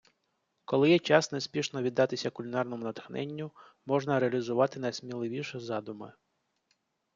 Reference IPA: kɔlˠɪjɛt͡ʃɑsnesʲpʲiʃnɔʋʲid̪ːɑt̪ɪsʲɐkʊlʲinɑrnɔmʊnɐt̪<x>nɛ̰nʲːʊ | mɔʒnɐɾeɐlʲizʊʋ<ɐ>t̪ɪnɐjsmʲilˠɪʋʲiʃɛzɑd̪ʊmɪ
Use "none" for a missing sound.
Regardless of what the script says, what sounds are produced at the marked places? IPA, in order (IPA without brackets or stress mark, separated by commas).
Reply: x, ɑ